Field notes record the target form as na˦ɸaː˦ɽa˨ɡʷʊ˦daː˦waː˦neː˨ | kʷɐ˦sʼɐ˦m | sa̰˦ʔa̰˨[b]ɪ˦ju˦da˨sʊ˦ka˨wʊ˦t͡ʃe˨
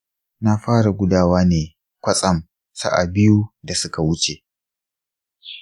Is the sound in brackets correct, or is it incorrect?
correct